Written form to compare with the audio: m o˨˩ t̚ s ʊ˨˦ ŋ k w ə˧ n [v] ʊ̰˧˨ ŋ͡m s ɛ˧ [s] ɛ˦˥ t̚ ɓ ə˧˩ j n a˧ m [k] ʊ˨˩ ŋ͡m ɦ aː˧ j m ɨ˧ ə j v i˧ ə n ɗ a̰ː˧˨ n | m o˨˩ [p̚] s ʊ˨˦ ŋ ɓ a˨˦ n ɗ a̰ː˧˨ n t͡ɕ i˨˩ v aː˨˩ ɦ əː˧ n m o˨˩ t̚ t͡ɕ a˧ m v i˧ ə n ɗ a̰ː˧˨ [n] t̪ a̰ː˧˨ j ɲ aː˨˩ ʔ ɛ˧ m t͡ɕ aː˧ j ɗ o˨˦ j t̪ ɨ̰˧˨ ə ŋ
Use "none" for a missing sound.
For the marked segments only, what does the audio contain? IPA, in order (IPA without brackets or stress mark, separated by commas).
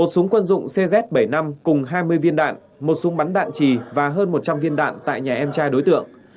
z, z, k, t̚, n